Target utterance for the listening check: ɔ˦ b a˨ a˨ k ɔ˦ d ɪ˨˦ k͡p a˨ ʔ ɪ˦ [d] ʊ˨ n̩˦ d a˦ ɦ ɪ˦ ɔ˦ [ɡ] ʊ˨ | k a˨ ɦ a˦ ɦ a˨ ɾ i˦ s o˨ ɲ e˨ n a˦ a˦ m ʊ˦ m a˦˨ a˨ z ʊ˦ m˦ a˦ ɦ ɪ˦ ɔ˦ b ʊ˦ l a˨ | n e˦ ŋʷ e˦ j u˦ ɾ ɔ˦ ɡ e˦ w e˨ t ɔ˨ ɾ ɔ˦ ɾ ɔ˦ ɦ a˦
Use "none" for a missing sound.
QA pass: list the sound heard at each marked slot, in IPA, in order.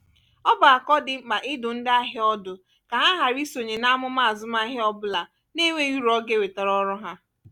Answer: d, d

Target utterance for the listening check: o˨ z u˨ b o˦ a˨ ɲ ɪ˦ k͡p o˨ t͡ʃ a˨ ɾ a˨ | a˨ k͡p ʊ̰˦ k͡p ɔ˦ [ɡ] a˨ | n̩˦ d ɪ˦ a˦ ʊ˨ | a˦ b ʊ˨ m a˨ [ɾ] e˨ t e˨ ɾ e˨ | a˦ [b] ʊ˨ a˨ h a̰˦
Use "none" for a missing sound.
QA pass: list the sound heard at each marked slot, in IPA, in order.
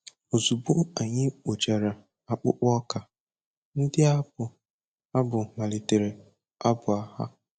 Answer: k, l, b

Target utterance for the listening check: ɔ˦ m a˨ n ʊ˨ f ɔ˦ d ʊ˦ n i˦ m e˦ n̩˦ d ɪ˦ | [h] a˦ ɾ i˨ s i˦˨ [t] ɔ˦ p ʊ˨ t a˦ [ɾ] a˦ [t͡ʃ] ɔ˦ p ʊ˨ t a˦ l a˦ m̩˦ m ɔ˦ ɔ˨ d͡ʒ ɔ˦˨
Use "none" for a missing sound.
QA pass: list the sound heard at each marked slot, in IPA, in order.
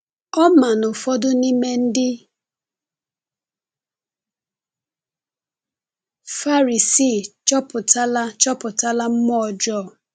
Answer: f, t͡ʃ, l, t͡ʃ

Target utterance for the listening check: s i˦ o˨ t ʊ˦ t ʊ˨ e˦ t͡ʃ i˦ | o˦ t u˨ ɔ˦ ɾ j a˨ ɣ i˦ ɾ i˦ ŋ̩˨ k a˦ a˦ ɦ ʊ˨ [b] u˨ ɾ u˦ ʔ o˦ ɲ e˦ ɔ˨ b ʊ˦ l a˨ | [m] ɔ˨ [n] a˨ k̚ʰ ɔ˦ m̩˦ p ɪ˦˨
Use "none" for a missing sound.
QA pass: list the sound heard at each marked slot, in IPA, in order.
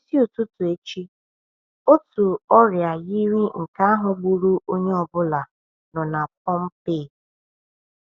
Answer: ɡ͡b, n, n

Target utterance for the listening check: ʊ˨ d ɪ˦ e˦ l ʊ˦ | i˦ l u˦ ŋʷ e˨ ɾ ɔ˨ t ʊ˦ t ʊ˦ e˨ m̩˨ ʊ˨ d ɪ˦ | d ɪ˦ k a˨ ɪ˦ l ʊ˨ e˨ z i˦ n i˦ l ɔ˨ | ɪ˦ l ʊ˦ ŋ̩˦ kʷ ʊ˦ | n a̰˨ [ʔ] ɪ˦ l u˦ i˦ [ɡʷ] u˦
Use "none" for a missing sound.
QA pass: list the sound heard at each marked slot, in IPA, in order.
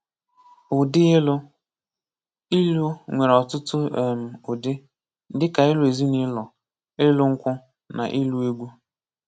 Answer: ʔ, ɡʷ

